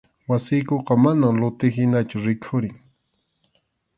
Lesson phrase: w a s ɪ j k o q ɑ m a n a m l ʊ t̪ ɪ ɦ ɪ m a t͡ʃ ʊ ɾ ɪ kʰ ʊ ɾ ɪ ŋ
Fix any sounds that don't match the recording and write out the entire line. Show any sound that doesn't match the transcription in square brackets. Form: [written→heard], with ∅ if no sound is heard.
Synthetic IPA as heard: w a s ɪ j k o q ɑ m a n a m l ʊ t̪ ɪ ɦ ɪ [m→n] a t͡ʃ ʊ ɾ ɪ kʰ ʊ ɾ ɪ ŋ